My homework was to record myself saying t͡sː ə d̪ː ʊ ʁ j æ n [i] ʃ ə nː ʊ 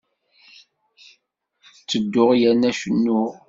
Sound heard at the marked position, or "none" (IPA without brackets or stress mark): æ